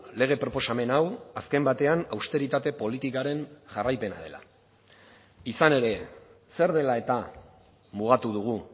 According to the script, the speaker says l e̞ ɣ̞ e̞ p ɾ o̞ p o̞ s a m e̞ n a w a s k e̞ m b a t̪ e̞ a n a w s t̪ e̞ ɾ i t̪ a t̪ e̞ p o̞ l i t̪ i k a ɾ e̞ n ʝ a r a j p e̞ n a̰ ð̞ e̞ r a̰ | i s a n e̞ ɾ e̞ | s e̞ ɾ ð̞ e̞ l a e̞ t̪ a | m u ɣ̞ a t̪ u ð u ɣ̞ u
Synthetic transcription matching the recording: l e̞ ɣ̞ e̞ p ɾ o̞ p o̞ s a m e̞ n a w a s k e̞ m b a t̪ e̞ a n a w s t̪ e̞ ɾ i t̪ a t̪ e̞ p o̞ l i t̪ i k a ɾ e̞ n ʝ a r a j p e̞ n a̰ ð̞ e̞ l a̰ | i s a n e̞ ɾ e̞ | s e̞ ɾ ð̞ e̞ l a e̞ t̪ a | m u ɣ̞ a t̪ u ð u ɣ̞ u

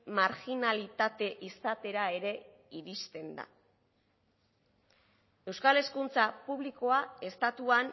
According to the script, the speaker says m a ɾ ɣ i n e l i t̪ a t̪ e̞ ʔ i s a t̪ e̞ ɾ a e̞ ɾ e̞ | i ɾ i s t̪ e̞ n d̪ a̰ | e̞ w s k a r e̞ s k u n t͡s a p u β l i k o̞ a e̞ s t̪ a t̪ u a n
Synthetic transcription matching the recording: m a ɾ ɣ i n a l i t̪ a t̪ e̞ ʔ i s a t̪ e̞ ɾ a e̞ ɾ e̞ | i ɾ i s t̪ e̞ n d̪ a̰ | e̞ w s k a l e̞ s k u n t͡s a p u β l i k o̞ a e̞ s t̪ a t̪ u a n

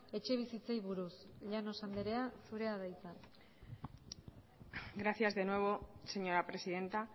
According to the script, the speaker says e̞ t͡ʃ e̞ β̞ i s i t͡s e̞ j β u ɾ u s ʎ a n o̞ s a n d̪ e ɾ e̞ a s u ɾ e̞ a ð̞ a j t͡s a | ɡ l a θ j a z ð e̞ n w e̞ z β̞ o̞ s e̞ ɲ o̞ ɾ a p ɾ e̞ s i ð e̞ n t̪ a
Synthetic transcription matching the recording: e̞ t͡ʃ e̞ β̞ i s i t͡s e̞ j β u ɾ u s ʎ a n o̞ s a n d̪ e ɾ e̞ a s u ɾ e̞ a ð̞ a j t͡s a | ɡ ɾ a θ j a z ð e̞ n w e̞ β̞ o̞ s e̞ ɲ o̞ ɾ a p ɾ e̞ s i ð e̞ n t̪ a

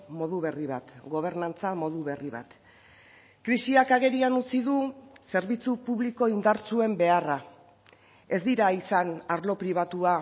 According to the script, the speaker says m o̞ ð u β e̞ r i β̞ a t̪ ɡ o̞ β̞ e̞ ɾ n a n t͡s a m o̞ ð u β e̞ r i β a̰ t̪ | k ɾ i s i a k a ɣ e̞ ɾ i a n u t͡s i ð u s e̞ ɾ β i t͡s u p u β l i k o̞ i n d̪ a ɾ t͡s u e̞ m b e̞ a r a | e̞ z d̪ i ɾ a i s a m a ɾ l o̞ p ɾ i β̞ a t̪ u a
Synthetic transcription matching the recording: m o̞ ð u β e̞ r i β̞ a t̪ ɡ o̞ β̞ e̞ ɾ n a n t͡s a m o̞ ð u β e̞ r i β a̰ t̪ | k ɾ i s i a k a ɣ e̞ ɾ i a n u t͡s i ð u s e̞ ɾ β i t͡s u p u β l i k o̞ i n d̪ a ɾ t͡s u e̞ m b e̞ a r a | e̞ z d̪ i ɾ a i s a n a ɾ l o̞ p ɾ i β̞ a t̪ u a

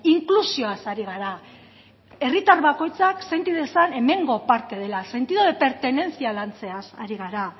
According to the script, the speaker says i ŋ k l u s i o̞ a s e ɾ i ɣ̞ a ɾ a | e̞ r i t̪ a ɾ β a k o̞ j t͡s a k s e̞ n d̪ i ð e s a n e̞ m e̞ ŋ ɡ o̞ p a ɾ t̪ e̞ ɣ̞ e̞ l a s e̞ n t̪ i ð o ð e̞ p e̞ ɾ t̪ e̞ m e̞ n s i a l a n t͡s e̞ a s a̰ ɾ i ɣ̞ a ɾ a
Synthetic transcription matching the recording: i ŋ k l u s i o̞ a s a ɾ i ɣ̞ a ɾ a | e̞ r i t̪ a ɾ β a k o̞ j t͡s a k s e̞ n t̪ i ð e s a n e̞ m e̞ ŋ ɡ o̞ p a ɾ t̪ e̞ ð̞ e̞ l a s e̞ n t̪ i ð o ð e̞ p e̞ ɾ t̪ e̞ n e̞ n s i a l a n t͡s e̞ a s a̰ ɾ i ɣ̞ a ɾ a

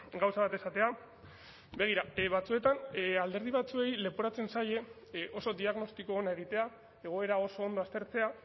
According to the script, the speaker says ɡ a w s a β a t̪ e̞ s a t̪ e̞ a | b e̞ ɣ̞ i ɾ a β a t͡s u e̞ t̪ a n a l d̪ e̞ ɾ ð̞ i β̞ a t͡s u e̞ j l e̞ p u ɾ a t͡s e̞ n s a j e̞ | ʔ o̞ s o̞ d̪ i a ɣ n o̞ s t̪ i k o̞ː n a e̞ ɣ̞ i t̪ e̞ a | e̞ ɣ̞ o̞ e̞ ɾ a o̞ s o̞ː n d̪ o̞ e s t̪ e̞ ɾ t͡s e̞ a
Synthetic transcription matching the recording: ɡ a w s a β a t̪ e̞ s a t̪ e̞ a | b e̞ ɣ̞ i ɾ a β a t͡s u e̞ t̪ a n a l d̪ e̞ ɾ ð̞ i β̞ a t͡s u e̞ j l e̞ p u ɾ a t͡s e̞ n s a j e̞ | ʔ o̞ s o̞ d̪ i a ɣ n o̞ s t̪ i k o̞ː n a e̞ ɣ̞ i t̪ e̞ a | e̞ ɣ̞ o̞ e̞ ɾ a o̞ s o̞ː n d̪ o̞ a s t̪ e̞ ɾ t͡s e̞ a

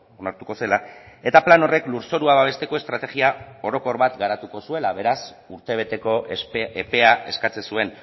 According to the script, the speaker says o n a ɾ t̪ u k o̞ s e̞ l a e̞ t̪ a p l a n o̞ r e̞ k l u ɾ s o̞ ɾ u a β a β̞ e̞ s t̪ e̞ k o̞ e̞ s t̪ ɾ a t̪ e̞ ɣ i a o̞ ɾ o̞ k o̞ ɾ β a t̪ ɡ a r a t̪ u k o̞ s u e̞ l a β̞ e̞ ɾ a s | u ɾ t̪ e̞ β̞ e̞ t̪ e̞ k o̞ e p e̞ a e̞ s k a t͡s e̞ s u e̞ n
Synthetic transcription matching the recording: o n a ɾ t̪ u k o̞ s e̞ l a e̞ t̪ a p l a n o̞ r e̞ k l u ɾ s o̞ ɾ u a β a β̞ e̞ s t̪ e̞ k o̞ e̞ s t̪ ɾ a t̪ e̞ ɣ i a o̞ ɾ o̞ k o̞ ɾ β a t̪ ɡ a ɾ a t̪ u k o̞ s u e̞ l a β̞ e̞ ɾ a s | u ɾ t̪ e̞ β̞ e̞ t̪ e̞ k o̞ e p e̞ a e̞ s k a t͡s e̞ s u e̞ n

